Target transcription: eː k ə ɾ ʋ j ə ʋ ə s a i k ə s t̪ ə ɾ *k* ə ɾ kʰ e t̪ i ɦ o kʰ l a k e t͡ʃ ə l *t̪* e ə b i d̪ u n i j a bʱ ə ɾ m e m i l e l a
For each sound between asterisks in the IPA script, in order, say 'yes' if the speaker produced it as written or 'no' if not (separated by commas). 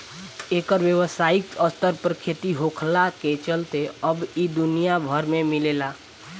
no, yes